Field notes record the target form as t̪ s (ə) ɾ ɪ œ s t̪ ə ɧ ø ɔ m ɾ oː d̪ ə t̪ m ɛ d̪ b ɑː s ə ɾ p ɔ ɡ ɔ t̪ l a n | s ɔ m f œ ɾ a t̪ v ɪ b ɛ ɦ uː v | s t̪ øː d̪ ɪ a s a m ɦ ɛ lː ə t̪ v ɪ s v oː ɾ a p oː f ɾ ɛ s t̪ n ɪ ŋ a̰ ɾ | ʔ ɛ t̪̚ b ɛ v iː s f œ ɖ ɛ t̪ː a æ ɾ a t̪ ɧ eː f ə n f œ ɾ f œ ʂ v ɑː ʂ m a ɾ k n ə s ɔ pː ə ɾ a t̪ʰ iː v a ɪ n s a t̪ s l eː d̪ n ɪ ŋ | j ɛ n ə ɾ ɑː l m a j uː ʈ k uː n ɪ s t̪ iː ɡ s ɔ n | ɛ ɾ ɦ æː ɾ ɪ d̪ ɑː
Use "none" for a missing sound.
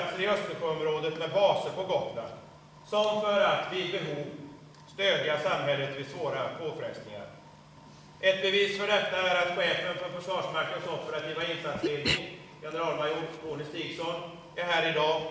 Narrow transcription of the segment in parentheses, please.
ə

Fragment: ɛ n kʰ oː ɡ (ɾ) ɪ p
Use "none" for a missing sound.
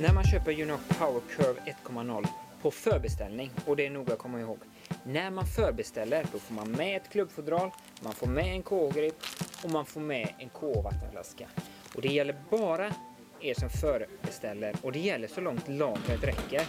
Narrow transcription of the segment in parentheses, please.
ɾ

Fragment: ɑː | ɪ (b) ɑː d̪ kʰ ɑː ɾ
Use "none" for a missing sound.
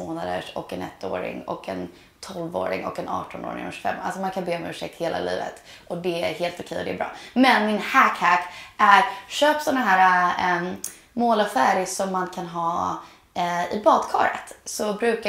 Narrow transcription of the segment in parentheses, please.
b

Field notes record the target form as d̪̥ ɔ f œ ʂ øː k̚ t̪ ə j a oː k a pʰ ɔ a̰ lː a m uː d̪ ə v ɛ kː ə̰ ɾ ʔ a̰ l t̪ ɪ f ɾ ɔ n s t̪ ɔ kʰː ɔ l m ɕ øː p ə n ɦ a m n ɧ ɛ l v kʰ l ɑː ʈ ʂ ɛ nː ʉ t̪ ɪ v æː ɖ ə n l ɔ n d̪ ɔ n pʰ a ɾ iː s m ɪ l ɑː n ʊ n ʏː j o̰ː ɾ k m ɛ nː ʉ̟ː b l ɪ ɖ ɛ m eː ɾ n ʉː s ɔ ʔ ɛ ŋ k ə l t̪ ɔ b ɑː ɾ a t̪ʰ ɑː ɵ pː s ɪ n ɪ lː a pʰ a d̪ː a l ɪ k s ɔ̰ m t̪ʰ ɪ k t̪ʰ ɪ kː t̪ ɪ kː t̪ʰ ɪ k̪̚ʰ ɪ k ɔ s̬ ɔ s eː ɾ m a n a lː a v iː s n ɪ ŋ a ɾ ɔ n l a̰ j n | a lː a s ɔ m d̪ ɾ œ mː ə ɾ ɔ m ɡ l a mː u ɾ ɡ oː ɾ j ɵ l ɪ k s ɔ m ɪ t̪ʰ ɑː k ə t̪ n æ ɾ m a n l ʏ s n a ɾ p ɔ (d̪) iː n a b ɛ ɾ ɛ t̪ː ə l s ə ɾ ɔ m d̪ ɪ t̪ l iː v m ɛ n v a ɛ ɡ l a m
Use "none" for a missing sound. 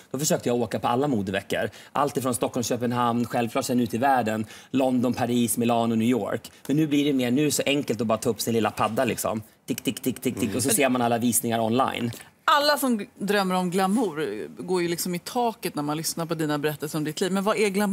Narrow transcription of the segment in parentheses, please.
d̪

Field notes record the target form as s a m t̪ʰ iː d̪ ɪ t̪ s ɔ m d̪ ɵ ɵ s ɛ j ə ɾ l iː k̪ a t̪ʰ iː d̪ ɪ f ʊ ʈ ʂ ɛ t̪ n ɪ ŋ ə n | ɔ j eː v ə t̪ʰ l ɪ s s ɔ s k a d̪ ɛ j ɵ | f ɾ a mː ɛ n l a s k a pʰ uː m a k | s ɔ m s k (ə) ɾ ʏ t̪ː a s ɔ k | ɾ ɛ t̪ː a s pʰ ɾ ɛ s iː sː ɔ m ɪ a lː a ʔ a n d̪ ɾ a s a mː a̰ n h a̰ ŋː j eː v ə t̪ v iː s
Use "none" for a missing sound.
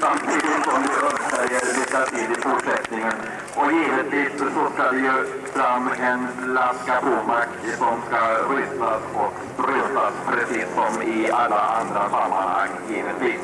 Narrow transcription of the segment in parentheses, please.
a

